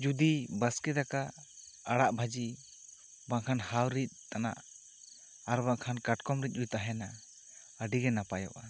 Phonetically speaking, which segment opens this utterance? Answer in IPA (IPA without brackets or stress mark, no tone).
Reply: d͡ʒ